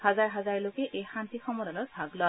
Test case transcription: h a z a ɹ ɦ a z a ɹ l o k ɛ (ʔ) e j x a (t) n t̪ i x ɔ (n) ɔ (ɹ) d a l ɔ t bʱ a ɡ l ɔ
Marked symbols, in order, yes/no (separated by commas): yes, no, no, no